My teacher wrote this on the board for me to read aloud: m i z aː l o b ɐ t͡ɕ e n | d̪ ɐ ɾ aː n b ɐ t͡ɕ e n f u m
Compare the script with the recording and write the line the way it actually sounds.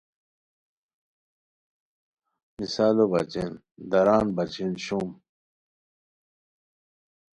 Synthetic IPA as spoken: m i s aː l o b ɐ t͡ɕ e n | d̪ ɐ ɾ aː n b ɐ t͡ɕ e n ɕ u m

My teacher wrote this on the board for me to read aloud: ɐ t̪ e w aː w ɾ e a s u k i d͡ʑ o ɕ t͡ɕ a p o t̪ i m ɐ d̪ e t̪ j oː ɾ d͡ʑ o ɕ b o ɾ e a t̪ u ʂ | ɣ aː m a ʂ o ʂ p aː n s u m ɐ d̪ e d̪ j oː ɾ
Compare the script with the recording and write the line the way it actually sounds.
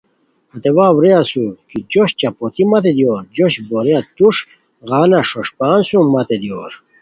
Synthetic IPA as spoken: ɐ t̪ e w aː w ɾ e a s u k i d͡ʑ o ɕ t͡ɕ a p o t̪ i m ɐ t̪ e d̪ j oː ɾ d͡ʑ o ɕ b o ɾ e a t̪ u ʂ | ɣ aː n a ʂ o ʂ p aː n s u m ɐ t̪ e d̪ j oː ɾ

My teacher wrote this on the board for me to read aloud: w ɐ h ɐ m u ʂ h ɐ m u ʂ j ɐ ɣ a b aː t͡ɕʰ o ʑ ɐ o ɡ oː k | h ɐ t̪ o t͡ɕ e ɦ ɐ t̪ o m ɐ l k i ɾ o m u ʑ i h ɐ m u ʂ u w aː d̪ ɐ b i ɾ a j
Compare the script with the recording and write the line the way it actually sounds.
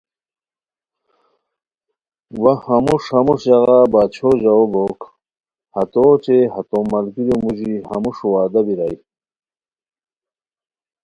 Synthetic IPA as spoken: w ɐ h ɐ m u ʂ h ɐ m u ʂ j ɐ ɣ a b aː t͡ɕʰ o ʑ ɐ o b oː k | h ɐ t̪ o t͡ɕ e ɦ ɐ t̪ o m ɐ l k i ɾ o m u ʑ i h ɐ m u ʂ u w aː d̪ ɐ b i ɾ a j

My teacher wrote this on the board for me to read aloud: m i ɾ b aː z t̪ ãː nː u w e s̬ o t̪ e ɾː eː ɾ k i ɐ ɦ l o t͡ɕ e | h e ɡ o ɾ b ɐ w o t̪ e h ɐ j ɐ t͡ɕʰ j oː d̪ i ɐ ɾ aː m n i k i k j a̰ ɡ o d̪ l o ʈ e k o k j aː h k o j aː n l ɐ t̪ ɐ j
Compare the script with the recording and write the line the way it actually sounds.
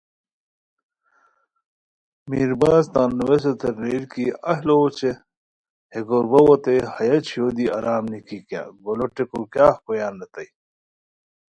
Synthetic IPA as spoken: m i ɾ b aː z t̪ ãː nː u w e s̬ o t̪ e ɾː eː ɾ k i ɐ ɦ l o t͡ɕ e | h e ɡ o ɾ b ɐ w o t̪ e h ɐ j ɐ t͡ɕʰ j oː d̪ i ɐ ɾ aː m n i k i k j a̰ ɡ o l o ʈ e k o k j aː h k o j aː n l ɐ t̪ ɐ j

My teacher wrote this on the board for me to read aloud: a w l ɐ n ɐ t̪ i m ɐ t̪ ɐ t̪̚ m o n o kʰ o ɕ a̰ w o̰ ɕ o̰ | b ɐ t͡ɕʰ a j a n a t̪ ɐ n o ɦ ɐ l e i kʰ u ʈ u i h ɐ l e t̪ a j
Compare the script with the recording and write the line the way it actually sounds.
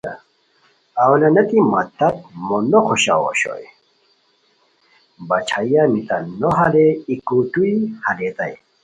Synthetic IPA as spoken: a w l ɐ n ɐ t̪ i m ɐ t̪ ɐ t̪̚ m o n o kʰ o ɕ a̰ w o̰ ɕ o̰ | b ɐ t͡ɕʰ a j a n i t̪ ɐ n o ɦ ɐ l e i k u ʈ u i h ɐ l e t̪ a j

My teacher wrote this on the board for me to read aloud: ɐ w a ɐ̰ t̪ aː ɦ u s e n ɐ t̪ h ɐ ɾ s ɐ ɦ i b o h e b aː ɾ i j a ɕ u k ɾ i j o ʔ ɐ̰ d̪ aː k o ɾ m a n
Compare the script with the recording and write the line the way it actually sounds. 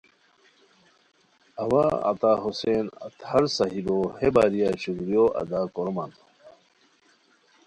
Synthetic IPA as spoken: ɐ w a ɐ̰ t̪ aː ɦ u s e n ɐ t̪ h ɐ ɾ s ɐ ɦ i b o h e b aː ɾ i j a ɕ u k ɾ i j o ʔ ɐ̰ d̪ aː k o ɾ m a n

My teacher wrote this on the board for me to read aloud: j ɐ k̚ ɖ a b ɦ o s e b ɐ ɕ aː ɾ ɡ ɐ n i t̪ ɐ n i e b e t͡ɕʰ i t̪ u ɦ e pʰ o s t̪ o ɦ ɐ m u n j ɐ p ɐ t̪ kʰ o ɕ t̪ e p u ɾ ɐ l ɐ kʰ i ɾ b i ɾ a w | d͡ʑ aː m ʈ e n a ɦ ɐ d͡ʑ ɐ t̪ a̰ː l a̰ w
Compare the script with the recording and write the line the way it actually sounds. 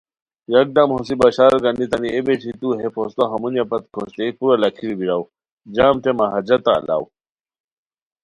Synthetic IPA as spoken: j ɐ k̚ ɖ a m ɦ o s i b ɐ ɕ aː ɾ ɡ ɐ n i t̪ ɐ n i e b e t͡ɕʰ i t̪ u ɦ e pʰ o s t̪ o ɦ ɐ m u n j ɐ p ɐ t̪ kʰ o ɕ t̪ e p u ɾ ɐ l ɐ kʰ i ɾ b i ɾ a w | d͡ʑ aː m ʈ e m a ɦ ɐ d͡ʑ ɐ t̪ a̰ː l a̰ w

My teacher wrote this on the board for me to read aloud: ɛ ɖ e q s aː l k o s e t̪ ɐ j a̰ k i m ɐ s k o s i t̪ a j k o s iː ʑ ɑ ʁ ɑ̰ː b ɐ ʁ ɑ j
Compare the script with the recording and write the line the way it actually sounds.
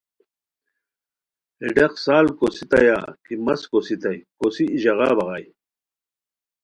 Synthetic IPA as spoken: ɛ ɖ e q s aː l k o s i t̪ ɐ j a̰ k i m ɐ s k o s i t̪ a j k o s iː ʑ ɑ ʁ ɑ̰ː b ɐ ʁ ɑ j

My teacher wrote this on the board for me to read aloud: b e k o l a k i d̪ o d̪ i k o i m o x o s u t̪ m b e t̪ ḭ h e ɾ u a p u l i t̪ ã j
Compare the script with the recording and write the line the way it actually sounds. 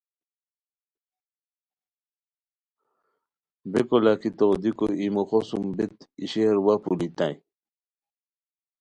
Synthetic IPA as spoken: b e k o l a k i t̪ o d̪ i k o i m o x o s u m b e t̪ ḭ ɕ e ɾ w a p u l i t̪ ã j

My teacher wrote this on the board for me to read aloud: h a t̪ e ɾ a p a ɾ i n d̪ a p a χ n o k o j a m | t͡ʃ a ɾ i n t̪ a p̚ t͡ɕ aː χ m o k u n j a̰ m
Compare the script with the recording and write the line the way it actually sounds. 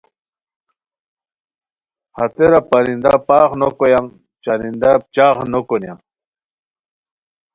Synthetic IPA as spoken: h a t̪ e ɾ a p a ɾ i n d̪ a p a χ n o k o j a m | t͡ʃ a ɾ i n d̪ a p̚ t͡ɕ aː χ n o k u n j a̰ m

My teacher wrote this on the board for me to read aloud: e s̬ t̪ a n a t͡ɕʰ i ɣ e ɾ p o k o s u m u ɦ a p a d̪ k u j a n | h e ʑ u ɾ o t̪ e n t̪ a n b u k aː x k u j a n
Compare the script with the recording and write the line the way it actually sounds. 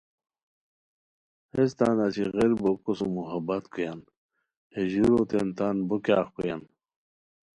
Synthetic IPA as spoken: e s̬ t̪ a n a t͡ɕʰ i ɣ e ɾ b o k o s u m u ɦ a b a t̪ k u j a n | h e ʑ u ɾ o t̪ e n t̪ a n b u k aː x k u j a n

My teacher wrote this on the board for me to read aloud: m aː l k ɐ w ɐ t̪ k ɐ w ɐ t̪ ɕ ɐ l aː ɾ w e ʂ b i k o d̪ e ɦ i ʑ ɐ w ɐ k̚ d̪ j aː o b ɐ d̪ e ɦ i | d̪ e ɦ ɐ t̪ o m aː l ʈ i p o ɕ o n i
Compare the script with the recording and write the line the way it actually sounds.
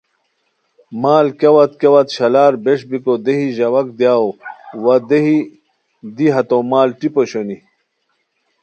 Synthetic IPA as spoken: m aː l k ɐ w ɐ t̪ k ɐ w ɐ t̪ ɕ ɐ l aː ɾ b e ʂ b i k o d̪ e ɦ i ʑ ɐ w ɐ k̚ d̪ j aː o w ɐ d̪ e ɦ i | d̪ i ɦ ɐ t̪ o m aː l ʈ i p o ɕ o n i

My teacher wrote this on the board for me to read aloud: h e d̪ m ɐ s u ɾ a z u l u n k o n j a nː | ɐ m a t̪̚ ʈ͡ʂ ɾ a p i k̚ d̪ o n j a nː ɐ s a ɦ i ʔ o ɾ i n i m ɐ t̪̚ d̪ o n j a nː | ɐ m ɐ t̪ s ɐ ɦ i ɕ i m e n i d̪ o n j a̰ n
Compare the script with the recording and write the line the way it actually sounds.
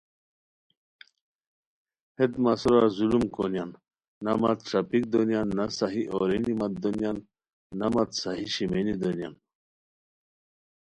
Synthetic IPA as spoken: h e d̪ m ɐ s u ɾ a z u l u m k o n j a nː | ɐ m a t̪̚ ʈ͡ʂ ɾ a p i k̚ d̪ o n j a nː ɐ s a ɦ i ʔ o ɾ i n i m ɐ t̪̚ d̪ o n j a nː | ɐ m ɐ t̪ s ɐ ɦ i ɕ i m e n i d̪ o n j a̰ n

